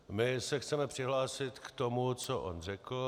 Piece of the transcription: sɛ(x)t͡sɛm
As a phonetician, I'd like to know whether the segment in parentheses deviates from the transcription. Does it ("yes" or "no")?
no